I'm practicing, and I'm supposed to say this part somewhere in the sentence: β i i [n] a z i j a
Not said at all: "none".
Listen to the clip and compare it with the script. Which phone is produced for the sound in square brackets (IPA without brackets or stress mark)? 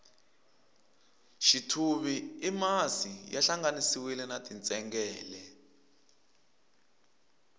m